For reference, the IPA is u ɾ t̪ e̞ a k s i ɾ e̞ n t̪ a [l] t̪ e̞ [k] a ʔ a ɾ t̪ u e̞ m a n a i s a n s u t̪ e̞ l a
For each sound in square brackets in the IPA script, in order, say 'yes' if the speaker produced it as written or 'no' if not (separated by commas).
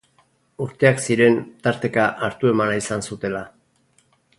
no, yes